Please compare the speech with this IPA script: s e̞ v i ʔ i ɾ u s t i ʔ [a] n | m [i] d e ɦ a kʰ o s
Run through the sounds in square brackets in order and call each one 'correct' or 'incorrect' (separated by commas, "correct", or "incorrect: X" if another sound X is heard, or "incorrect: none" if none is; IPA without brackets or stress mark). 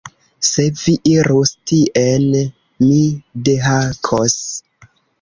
incorrect: e, correct